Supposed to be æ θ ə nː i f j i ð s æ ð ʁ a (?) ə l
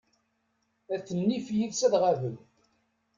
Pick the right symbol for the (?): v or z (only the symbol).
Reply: v